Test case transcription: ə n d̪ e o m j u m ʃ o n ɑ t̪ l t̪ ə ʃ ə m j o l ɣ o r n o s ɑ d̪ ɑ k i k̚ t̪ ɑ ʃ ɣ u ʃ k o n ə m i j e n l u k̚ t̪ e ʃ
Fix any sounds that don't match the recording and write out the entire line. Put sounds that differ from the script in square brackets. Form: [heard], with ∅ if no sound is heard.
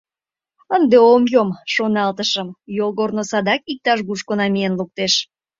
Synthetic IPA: ə n d̪ e o m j [o] m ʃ o n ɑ [∅] l t̪ ə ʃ ə m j o l ɣ o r n o s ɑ d̪ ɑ k i k̚ t̪ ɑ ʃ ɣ u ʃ k o n [ɑ] m i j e n l u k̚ t̪ e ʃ